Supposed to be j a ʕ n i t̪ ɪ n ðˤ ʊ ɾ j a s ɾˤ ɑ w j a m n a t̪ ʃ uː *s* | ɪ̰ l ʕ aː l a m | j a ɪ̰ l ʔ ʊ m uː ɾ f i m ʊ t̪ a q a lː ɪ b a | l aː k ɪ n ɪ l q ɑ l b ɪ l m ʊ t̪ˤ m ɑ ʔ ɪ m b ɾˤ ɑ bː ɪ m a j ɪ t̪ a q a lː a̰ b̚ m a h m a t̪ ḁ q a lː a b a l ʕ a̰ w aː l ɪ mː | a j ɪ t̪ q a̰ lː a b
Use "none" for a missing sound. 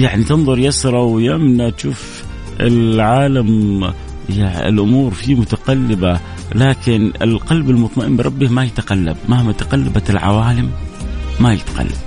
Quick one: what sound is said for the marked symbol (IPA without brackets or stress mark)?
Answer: f